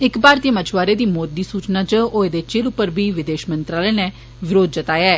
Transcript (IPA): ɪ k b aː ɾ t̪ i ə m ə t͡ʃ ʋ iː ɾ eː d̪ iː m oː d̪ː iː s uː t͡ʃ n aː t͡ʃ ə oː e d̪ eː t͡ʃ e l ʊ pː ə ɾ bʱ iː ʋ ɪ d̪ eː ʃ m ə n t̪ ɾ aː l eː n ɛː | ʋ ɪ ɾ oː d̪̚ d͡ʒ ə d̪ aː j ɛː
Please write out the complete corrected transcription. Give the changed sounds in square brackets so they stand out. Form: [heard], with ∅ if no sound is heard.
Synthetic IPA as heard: ɪ k b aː ɾ t̪ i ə m ə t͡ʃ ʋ [aː] ɾ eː d̪ iː m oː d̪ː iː s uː t͡ʃ n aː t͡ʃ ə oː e d̪ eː t͡ʃ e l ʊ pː ə ɾ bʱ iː ʋ ɪ d̪ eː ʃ m ə n t̪ ɾ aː l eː n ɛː | ʋ ɪ ɾ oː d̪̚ d͡ʒ ə [t̪] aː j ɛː